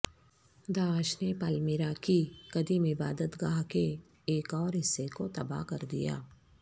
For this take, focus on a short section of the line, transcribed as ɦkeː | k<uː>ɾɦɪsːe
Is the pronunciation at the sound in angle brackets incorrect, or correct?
incorrect